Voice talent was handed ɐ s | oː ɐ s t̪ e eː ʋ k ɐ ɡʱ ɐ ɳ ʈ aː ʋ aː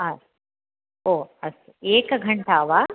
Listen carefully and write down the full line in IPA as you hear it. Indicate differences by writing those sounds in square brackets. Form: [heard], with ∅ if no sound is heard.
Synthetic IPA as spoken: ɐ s | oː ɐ s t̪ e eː [∅] k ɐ ɡʱ ɐ ɳ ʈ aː ʋ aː

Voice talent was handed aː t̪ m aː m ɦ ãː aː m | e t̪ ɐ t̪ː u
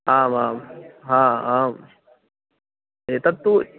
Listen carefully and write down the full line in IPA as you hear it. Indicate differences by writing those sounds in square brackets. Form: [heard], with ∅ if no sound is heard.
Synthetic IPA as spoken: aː [∅] m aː m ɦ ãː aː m | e t̪ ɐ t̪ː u

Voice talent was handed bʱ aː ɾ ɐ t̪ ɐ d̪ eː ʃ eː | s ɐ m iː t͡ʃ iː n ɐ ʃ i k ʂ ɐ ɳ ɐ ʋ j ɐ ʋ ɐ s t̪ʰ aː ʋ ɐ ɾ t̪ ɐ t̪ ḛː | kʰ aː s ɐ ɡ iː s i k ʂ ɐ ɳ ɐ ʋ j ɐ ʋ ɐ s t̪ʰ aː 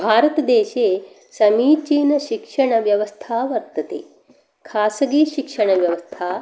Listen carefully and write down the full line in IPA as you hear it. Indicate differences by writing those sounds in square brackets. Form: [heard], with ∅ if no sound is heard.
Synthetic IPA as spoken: bʱ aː ɾ ɐ t̪ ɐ d̪ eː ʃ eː | s ɐ m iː t͡ʃ iː n ɐ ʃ i k ʂ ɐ ɳ ɐ ʋ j ɐ ʋ ɐ s t̪ʰ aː ʋ ɐ ɾ t̪ ɐ t̪ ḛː | kʰ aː s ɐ ɡ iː [ʃ] i k ʂ ɐ ɳ ɐ ʋ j ɐ ʋ ɐ s t̪ʰ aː

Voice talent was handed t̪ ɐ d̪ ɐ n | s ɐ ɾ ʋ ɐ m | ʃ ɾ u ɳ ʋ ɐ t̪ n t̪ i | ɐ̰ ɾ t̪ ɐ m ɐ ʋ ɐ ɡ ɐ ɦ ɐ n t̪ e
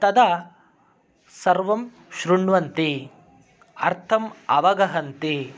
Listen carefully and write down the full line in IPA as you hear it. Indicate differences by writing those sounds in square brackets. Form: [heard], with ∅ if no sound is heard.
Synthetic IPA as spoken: t̪ ɐ d̪ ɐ [∅] | s ɐ ɾ ʋ ɐ m | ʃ ɾ u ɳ ʋ ɐ [∅] n t̪ i | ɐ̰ ɾ [t̪ʰ] ɐ m ɐ ʋ ɐ ɡ ɐ ɦ ɐ n t̪ [i]

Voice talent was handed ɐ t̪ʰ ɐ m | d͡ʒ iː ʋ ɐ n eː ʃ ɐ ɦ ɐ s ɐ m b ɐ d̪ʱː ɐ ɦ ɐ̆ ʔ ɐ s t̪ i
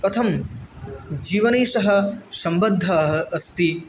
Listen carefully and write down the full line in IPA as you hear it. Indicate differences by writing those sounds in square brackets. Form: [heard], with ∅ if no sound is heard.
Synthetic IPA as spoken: ɐ t̪ʰ ɐ m | d͡ʒ iː ʋ ɐ n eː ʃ ɐ ɦ ɐ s ɐ m b ɐ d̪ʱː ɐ ɦ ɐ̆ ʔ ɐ s t̪ i

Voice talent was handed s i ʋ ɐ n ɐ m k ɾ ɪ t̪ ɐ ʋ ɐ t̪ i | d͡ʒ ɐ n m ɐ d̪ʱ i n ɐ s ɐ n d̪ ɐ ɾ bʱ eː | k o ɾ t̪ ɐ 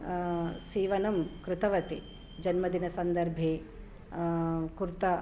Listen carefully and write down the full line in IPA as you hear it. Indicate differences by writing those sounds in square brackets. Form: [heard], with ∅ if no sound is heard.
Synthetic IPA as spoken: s [iː] ʋ ɐ n ɐ m k ɾ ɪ t̪ ɐ ʋ ɐ t̪ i | d͡ʒ ɐ n m ɐ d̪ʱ i n ɐ s ɐ n d̪ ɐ ɾ bʱ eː | k [u] ɾ t̪ ɐ

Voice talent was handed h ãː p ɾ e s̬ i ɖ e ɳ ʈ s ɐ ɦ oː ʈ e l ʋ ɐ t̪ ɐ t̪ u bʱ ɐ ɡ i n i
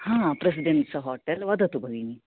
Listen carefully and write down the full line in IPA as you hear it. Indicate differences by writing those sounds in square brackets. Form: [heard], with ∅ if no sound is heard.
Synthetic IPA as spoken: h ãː p ɾ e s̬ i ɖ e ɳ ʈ s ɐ ɦ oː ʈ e l ʋ ɐ [d̪] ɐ t̪ u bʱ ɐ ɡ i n i

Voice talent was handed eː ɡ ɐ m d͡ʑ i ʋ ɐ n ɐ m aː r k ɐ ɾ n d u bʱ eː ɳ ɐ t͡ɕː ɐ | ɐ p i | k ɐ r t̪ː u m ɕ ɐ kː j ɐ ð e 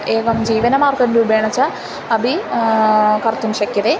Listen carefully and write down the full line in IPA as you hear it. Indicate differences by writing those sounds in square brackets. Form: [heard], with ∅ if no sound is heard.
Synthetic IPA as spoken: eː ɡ ɐ m d͡ʑ [iː] ʋ ɐ n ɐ m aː r k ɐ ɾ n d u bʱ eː ɳ ɐ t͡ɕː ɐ | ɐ [b] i | k ɐ r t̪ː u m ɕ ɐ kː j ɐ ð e

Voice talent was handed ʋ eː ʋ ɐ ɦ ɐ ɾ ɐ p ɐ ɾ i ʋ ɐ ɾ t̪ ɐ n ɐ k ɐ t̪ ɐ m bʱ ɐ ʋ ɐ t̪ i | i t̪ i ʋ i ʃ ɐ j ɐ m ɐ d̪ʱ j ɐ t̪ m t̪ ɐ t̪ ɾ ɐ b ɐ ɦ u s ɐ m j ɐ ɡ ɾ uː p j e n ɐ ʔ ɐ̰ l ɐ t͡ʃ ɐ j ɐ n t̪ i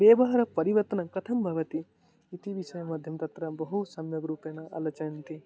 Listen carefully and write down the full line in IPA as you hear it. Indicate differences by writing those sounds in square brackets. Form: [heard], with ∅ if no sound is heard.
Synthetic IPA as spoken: ʋ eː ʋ ɐ ɦ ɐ ɾ ɐ p ɐ ɾ i ʋ ɐ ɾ t̪ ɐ n ɐ k ɐ [t̪ʰ] ɐ m bʱ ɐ ʋ ɐ t̪ i | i t̪ i ʋ i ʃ ɐ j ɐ m ɐ d̪ʱ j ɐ [∅] m t̪ ɐ t̪ ɾ ɐ b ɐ ɦ u s ɐ m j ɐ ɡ ɾ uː p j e n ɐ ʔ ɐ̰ l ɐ t͡ʃ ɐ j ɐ n t̪ i

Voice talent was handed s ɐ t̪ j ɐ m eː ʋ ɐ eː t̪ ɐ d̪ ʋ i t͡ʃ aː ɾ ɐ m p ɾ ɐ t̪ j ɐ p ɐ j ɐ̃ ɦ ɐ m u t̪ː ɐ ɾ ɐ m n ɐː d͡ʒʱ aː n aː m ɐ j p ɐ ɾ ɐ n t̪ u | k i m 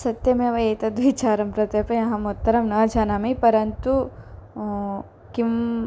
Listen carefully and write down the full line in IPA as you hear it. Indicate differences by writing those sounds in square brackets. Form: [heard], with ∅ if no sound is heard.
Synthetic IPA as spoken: s ɐ t̪ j ɐ m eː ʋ ɐ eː t̪ ɐ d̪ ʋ i t͡ʃ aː ɾ ɐ m p ɾ ɐ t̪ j ɐ p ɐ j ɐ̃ ɦ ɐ m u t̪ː ɐ ɾ ɐ m n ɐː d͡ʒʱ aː n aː m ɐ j p ɐ ɾ ɐ n t̪ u | k i m

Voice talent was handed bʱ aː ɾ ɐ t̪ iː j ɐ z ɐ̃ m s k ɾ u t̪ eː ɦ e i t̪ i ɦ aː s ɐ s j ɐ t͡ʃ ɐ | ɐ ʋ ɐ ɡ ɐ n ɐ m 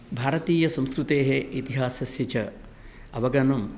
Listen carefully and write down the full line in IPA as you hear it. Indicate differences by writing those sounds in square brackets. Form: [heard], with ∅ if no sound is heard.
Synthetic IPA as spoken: bʱ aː ɾ ɐ t̪ iː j ɐ [s] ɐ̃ m s k ɾ u t̪ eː ɦ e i t̪ i ɦ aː s ɐ s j ɐ t͡ʃ ɐ | ɐ ʋ ɐ ɡ ɐ n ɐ m

